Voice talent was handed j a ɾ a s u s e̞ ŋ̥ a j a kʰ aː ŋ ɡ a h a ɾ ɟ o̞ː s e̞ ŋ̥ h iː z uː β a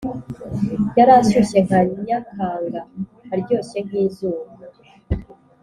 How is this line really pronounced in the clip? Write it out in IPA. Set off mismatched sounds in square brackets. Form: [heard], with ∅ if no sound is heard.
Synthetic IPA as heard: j a ɾ a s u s e̞ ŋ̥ a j a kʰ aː ŋ ɡ a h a ɾ ɟ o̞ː s e̞ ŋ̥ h iː z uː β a